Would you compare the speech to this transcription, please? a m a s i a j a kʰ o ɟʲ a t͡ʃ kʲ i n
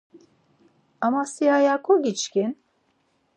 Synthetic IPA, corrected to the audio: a m a s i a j a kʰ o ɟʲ i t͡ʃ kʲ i n